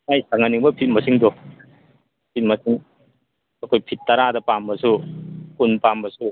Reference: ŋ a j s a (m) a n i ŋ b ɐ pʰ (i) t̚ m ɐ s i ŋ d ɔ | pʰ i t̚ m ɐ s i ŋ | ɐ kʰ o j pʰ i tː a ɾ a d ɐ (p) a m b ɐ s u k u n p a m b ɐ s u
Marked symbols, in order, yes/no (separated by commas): no, yes, yes